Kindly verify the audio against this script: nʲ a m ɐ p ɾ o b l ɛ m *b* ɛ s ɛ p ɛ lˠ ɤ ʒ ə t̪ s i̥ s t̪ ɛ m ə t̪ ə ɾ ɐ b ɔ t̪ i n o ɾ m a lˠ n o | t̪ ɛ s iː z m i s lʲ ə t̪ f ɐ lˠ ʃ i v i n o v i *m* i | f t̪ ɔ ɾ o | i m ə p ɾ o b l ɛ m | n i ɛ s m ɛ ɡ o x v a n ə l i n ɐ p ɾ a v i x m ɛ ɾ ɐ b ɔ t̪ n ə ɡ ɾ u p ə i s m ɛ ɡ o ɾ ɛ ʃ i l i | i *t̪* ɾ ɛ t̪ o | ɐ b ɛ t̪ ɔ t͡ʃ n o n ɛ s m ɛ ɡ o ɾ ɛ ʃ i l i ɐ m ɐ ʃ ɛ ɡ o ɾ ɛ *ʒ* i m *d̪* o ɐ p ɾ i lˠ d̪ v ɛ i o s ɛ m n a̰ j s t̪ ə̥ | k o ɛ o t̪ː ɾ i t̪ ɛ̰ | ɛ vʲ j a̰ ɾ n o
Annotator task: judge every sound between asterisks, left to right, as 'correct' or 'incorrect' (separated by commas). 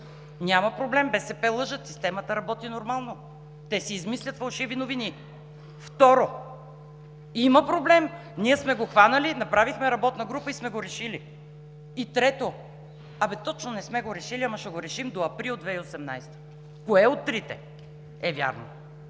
correct, incorrect, correct, incorrect, correct